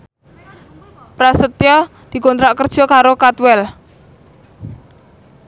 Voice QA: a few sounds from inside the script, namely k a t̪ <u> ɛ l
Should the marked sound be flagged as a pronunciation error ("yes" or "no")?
yes